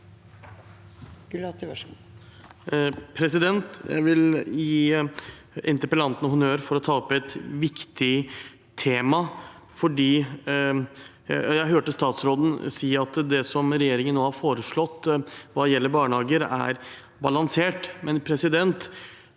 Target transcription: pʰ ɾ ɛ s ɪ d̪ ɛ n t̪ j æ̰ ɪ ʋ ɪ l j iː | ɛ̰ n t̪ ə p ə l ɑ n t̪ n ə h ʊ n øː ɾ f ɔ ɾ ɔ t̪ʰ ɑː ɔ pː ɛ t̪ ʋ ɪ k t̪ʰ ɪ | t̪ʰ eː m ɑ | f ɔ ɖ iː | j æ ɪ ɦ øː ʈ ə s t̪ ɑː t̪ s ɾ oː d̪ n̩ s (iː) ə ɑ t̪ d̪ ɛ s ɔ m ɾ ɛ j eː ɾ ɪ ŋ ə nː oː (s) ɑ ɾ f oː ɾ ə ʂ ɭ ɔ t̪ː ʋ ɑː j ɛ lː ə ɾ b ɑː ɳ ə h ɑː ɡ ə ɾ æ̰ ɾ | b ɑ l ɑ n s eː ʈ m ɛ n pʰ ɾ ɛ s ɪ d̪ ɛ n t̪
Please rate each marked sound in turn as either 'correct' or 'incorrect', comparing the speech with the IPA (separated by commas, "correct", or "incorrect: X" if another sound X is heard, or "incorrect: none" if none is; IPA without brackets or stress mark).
correct, incorrect: h